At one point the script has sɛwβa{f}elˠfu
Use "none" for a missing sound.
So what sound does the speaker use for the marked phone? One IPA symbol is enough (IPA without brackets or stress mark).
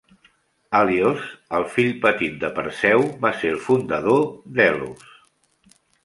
s